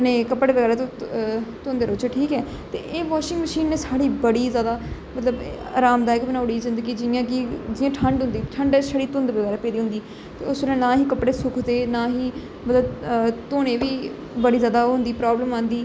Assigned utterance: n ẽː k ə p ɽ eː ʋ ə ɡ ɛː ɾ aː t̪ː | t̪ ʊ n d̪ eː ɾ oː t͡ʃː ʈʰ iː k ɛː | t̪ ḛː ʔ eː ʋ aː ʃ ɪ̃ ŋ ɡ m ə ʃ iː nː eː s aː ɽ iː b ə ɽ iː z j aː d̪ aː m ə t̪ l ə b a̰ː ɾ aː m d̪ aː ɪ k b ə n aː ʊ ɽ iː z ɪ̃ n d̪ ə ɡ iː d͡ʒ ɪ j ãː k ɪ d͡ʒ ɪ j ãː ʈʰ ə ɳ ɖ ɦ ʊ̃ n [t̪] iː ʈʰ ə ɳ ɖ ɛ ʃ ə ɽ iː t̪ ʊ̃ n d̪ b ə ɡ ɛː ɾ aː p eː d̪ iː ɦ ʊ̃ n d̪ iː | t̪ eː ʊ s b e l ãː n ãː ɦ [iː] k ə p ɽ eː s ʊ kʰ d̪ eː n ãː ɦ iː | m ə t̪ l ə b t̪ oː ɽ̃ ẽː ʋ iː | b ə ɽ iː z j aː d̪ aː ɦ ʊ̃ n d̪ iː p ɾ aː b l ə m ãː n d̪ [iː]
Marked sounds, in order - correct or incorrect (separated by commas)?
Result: incorrect, correct, correct